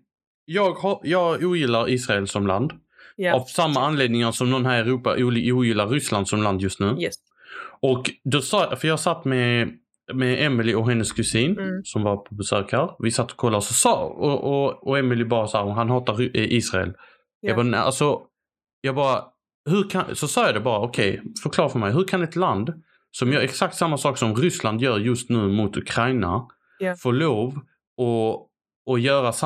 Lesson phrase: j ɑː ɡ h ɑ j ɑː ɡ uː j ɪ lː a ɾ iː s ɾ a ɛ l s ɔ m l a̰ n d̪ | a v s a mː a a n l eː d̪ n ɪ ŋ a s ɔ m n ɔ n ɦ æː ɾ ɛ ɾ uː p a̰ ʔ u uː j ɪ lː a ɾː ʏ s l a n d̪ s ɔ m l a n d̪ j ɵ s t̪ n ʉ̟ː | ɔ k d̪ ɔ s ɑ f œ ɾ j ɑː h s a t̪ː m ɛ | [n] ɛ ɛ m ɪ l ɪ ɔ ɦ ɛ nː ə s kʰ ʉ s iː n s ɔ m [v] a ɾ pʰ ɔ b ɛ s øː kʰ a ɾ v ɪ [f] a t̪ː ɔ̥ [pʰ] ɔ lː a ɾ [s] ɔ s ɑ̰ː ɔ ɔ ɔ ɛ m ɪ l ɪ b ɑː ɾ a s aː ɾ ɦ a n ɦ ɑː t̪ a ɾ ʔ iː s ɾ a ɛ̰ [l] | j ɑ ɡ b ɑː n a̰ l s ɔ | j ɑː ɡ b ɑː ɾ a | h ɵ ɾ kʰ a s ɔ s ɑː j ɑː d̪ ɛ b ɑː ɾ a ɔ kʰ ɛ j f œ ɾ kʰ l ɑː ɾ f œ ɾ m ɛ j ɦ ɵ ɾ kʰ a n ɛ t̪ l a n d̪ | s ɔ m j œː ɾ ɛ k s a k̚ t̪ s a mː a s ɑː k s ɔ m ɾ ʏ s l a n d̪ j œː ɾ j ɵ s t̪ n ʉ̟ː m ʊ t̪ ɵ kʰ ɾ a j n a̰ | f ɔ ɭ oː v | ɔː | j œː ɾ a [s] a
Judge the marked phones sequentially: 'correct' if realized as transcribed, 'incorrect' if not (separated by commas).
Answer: incorrect, correct, incorrect, incorrect, correct, correct, correct